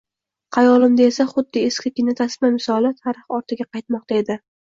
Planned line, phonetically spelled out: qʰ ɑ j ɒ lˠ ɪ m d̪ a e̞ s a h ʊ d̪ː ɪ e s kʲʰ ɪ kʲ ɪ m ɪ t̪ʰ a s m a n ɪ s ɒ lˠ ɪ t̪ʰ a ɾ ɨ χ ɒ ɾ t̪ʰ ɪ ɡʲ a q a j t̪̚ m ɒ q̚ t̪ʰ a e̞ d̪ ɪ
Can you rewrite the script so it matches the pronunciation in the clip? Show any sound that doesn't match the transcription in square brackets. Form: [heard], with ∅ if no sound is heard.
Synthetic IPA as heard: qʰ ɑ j ɒ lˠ ɪ m d̪ a e̞ s a [χ] ʊ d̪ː ɪ e s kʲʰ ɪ kʲ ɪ [n] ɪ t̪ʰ a s m a [m] ɪ s ɒ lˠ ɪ t̪ʰ a ɾ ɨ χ ɒ ɾ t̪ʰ ɪ ɡʲ a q [ɑ] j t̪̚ m ɒ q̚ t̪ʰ a e̞ d̪ ɪ